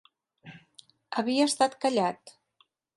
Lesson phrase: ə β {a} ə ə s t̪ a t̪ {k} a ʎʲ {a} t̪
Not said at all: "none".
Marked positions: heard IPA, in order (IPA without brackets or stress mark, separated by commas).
i, k, a